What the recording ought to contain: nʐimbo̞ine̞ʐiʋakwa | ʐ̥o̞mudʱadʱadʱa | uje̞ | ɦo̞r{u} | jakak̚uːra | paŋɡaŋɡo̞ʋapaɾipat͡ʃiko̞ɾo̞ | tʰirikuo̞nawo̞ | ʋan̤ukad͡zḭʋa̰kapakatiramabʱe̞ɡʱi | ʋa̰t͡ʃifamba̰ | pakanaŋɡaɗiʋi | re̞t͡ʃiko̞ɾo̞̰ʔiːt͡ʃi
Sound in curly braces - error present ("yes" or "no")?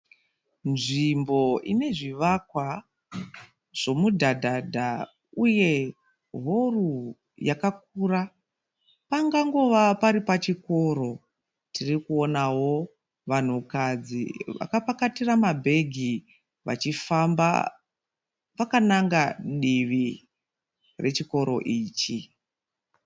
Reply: no